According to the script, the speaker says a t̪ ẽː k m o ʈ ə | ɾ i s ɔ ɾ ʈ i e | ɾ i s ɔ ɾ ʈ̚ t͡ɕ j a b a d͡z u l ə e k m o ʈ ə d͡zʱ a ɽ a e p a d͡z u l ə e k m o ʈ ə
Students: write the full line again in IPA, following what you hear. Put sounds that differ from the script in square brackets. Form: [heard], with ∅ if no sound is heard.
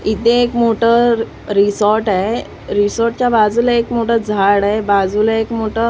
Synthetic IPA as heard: [i] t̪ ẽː k m o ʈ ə | ɾ i s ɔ ɾ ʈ [a] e | ɾ i s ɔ ɾ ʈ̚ t͡ɕ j a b a d͡z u l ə e k m o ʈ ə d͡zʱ a ɽ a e [b] a d͡z u l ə e k m o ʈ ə